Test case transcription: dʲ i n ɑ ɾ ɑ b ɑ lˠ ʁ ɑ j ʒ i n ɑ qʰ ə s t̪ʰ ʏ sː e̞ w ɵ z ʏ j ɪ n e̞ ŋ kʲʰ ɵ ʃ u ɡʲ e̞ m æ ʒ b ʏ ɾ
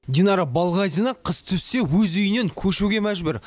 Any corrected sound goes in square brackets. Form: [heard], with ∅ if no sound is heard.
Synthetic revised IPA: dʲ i n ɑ ɾ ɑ b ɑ lˠ ʁ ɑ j [z] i n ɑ qʰ ə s t̪ʰ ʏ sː e̞ w ɵ z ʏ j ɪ n e̞ ŋ kʲʰ ɵ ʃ u ɡʲ e̞ m æ ʒ b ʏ ɾ